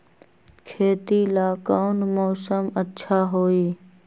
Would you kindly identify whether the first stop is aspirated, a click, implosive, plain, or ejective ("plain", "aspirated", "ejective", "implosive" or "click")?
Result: aspirated